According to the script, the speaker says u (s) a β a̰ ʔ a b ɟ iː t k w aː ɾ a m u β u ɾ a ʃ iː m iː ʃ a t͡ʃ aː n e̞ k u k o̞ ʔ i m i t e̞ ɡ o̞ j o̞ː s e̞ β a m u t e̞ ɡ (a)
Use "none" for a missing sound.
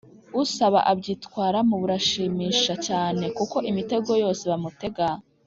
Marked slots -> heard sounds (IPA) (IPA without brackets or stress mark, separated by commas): s, a